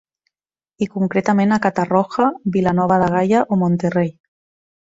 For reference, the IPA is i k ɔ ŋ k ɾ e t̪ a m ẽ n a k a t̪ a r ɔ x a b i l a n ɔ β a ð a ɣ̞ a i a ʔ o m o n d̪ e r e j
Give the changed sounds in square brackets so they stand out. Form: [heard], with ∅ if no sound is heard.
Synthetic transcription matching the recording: i k [u] ŋ k ɾ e t̪ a m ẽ n a k a t̪ a r ɔ x a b i l a n ɔ β a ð a ɣ̞ a [j] a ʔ o m o n [t̪] e r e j